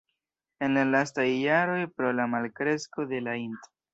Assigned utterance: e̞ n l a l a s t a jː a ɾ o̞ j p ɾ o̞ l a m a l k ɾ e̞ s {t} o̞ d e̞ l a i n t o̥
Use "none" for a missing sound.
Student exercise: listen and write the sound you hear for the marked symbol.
k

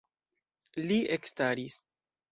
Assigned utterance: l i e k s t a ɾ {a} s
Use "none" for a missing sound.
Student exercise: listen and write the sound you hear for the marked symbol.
i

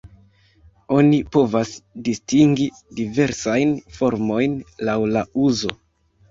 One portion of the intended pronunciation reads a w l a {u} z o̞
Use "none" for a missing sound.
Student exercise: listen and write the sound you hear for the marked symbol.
u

